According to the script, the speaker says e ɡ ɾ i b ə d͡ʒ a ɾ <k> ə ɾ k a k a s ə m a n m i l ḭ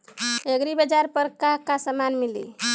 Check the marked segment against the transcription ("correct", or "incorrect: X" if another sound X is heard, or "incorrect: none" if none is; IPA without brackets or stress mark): incorrect: p